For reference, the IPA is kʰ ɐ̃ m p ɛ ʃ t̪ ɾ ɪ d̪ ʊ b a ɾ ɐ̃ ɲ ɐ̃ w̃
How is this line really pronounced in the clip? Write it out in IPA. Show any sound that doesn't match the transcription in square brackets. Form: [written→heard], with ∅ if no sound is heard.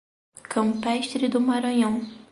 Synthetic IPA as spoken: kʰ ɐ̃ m p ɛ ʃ t̪ ɾ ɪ d̪ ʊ [b→m] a ɾ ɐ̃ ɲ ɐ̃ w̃

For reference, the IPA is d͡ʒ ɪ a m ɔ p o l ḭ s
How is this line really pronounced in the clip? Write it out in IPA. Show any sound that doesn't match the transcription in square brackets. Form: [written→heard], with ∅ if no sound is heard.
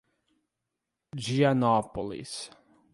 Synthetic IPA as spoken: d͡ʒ [ɪ→i] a [m→n] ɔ p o l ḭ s

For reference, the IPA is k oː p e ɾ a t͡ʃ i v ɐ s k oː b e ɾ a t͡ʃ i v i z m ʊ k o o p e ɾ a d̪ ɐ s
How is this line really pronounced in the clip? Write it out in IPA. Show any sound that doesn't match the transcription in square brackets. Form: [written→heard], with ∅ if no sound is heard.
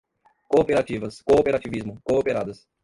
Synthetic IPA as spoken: k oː p e ɾ a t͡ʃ i v ɐ s k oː [b→p] e ɾ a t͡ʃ i v i z m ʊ k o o p e ɾ a d̪ ɐ s

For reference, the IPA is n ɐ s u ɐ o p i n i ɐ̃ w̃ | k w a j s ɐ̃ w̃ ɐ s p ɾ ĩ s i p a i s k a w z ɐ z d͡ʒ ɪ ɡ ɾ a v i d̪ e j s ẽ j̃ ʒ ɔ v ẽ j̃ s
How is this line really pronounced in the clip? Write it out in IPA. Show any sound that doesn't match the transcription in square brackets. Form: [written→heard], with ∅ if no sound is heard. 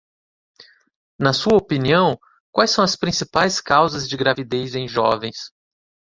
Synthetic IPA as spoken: n ɐ s u ɐ o p i n i ɐ̃ w̃ | k w a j s ɐ̃ w̃ ɐ s p ɾ ĩ s i p a [i→j] s k a w z ɐ z d͡ʒ ɪ ɡ ɾ a v i d̪ e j [s→z] ẽ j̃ ʒ ɔ v ẽ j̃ s

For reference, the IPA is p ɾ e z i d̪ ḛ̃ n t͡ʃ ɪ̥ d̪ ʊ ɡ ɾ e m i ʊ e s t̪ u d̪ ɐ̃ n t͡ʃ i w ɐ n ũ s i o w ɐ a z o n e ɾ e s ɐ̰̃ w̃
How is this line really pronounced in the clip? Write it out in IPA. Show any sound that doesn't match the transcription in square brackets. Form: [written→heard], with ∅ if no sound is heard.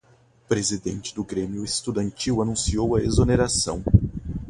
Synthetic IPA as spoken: p ɾ e z i d̪ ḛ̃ n t͡ʃ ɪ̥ d̪ ʊ ɡ ɾ e m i ʊ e s t̪ u d̪ ɐ̃ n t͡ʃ i w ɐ n ũ s i o w ɐ [a→e] z o n e ɾ [e→a] s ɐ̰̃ w̃

